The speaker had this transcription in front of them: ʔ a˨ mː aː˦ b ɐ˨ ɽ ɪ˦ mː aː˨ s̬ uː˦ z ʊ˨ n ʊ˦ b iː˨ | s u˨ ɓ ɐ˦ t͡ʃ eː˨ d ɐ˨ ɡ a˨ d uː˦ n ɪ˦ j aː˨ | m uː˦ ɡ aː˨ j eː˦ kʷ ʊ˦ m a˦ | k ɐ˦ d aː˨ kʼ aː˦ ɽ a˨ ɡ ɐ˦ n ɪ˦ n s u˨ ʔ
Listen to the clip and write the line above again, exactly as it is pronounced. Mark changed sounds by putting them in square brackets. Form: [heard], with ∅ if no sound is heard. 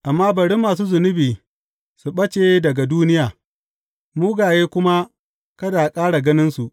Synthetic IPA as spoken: ʔ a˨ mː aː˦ b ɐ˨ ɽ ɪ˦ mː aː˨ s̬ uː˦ z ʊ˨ n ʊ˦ b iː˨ | s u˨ ɓ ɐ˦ t͡ʃ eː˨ d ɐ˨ ɡ a˨ d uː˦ n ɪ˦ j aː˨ | m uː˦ ɡ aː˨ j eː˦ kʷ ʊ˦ m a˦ | k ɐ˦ d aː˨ kʼ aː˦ ɽ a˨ ɡ ɐ˦ n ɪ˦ n s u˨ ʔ